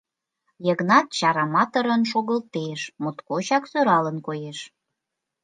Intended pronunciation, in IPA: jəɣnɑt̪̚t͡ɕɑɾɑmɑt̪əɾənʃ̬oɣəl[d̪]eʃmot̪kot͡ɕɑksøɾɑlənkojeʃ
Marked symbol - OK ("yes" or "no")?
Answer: no